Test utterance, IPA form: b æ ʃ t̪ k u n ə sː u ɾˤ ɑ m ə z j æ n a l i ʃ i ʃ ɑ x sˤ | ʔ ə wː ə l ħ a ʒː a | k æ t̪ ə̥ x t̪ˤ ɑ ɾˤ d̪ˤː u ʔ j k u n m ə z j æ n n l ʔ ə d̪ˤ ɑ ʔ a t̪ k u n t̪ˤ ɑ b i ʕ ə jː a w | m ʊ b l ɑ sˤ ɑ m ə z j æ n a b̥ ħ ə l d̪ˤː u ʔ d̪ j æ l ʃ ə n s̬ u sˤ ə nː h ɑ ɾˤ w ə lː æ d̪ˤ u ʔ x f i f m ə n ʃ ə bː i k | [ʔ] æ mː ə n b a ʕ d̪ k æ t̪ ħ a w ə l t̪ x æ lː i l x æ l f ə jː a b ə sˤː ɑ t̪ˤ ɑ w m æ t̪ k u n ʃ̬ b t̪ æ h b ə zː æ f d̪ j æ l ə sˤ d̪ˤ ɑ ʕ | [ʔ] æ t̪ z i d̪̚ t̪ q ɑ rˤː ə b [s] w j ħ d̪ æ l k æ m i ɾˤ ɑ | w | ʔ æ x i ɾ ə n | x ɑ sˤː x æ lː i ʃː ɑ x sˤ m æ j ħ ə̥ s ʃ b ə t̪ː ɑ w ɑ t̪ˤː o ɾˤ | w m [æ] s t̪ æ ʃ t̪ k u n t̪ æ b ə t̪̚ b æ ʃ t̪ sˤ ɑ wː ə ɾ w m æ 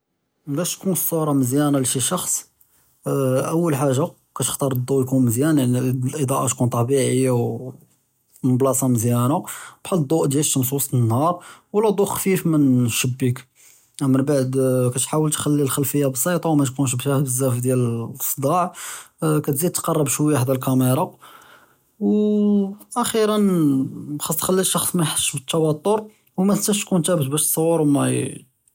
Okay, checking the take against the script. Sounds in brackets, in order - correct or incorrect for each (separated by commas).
correct, incorrect, incorrect, correct